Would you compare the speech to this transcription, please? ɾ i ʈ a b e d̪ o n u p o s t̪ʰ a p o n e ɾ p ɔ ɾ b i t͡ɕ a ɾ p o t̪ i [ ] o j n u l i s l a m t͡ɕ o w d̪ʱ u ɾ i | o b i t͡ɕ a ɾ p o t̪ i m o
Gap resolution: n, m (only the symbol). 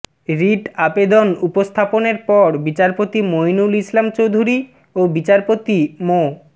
m